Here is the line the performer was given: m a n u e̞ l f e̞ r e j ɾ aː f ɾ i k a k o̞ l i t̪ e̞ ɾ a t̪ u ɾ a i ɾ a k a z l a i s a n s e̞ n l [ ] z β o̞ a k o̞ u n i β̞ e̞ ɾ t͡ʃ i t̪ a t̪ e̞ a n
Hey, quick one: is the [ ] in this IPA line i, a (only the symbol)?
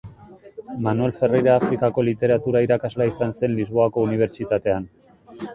i